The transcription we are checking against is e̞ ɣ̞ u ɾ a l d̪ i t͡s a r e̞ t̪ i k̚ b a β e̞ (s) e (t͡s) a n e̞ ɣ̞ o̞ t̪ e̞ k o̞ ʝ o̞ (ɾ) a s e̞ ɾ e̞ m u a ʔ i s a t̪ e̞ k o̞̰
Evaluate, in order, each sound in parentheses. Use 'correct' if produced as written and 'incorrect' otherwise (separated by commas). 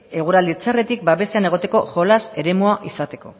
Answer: correct, incorrect, incorrect